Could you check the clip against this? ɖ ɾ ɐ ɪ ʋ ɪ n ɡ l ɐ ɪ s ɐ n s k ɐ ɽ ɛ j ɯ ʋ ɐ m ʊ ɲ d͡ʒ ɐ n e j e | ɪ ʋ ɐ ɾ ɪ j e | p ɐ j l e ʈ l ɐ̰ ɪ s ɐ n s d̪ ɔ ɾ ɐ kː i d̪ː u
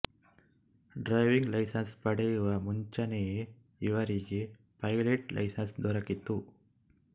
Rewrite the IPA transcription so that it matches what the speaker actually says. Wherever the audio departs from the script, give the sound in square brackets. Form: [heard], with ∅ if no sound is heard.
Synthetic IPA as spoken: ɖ ɾ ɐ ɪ ʋ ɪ [ŋ] ɡ l ɐ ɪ s ɐ n s [p] ɐ ɽ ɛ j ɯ ʋ ɐ m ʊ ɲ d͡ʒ ɐ n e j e | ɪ ʋ ɐ ɾ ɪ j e | p ɐ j l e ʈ l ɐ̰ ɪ s ɐ n s d̪ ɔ ɾ ɐ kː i [t̪ː] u